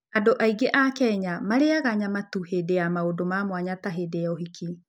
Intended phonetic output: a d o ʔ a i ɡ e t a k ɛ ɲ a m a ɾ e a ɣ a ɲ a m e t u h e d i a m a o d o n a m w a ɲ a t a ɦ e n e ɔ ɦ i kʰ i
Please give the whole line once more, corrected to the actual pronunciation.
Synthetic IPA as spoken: a d o ʔ a i ɡ e ʔ a k ɛ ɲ a m a ɾ e a ɣ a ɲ a m a t u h e d e a m a o d o m a m w a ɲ a t a ɦ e d e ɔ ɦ i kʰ i